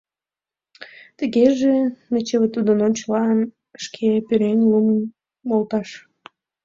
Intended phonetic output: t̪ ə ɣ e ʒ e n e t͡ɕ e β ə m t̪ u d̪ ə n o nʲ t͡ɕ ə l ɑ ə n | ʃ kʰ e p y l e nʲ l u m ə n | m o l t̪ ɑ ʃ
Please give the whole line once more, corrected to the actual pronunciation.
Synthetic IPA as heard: t̪ ə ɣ e ʒ e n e t͡ɕ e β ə t̪ u d̪ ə n o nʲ t͡ɕ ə l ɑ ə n | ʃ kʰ e p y ɾ e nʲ l u m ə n | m o l t̪ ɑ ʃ